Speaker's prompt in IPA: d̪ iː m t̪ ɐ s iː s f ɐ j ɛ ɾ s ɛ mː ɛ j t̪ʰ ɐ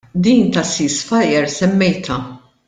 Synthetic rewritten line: d̪ iː n t̪ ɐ s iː s f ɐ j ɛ ɾ s ɛ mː ɛ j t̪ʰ ɐ